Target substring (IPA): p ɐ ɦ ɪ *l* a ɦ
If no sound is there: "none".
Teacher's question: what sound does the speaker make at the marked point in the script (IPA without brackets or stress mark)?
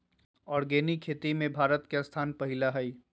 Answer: l